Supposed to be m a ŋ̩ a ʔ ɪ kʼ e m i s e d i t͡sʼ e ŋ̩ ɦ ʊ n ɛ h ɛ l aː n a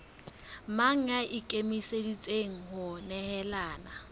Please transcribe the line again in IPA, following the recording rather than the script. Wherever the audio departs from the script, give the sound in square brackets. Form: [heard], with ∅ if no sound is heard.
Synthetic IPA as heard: m a ŋ̩ a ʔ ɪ kʼ e m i s e d i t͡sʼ e ŋ̩ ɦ ʊ n ɛ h ɛ l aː n a